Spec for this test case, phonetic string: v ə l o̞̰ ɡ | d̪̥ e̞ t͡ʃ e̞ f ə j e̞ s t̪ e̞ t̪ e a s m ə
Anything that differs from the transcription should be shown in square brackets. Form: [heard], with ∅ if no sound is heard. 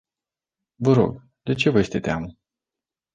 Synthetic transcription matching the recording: v ə [ɾ] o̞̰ ɡ | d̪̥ e̞ t͡ʃ e̞ [v] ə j e̞ s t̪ e̞ t̪ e a [∅] m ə